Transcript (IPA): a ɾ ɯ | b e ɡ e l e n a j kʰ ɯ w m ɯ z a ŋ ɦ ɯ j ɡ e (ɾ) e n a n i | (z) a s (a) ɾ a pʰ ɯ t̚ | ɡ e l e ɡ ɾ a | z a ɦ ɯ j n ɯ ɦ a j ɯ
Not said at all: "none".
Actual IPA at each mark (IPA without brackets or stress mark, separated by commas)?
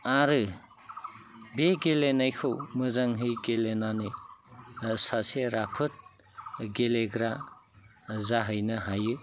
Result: l, s, e